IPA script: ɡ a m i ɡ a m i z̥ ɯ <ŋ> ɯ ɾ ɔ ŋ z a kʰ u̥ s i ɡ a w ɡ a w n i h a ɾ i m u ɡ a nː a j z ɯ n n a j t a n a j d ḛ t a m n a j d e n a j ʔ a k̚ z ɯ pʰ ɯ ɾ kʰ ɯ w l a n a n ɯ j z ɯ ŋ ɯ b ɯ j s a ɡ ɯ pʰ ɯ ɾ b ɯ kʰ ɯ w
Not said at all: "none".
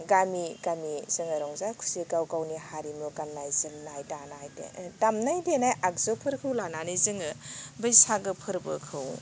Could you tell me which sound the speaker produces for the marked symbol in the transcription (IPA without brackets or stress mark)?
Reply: ŋ